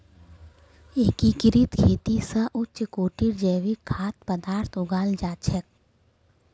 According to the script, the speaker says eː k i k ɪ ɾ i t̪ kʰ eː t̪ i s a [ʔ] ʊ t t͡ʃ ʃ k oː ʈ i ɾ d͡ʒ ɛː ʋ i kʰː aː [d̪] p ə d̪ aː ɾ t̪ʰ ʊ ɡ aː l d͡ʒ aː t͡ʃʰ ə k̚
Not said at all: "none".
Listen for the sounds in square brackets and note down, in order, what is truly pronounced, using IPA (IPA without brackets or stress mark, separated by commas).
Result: ʔ, t̪